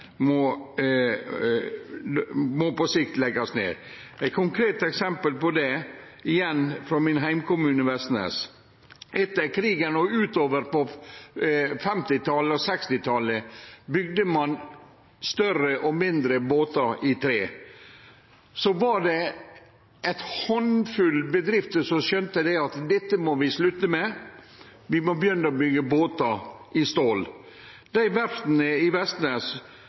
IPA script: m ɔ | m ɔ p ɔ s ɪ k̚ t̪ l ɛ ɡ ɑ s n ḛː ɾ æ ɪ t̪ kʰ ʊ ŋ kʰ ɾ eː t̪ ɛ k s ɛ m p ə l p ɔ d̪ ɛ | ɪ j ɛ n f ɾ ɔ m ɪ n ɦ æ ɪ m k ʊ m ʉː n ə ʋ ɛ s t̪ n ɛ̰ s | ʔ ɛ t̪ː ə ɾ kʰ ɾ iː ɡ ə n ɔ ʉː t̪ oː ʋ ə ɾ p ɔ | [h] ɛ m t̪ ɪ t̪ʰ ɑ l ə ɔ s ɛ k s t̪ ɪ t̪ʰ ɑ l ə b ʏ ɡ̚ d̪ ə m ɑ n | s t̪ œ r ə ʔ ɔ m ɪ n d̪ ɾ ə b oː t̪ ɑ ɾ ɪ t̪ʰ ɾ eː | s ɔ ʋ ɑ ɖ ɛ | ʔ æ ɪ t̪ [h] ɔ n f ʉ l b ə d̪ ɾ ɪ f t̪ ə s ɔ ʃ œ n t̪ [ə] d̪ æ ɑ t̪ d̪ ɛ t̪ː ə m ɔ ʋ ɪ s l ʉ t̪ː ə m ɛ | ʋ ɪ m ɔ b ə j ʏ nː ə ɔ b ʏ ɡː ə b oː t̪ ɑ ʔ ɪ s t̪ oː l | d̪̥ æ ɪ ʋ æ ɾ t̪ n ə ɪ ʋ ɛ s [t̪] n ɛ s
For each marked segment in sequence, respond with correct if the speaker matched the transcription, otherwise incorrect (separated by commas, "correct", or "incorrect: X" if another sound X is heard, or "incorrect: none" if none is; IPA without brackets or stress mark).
incorrect: f, correct, correct, correct